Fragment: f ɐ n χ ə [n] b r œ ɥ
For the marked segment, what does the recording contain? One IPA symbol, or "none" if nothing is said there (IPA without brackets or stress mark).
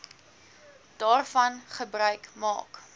none